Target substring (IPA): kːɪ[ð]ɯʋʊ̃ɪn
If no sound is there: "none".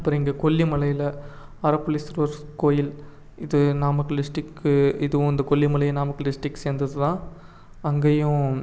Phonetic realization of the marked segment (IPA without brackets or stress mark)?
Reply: ð